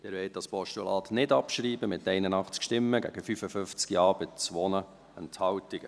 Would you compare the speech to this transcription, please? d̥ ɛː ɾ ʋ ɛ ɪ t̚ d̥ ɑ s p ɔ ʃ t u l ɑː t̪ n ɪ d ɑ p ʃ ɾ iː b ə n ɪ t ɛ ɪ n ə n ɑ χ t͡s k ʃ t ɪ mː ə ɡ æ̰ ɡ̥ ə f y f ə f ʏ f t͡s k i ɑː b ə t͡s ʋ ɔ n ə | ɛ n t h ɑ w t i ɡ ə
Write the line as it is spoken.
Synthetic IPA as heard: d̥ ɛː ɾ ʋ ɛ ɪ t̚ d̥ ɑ s p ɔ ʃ t u l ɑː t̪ n ɪ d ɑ p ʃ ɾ iː b ə m ɪ t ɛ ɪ n ə n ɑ χ t͡s k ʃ t ɪ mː ə ɡ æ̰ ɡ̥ ə f y f ə f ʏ f t͡s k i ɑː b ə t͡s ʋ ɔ n ə | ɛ n t h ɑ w t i ɡ ə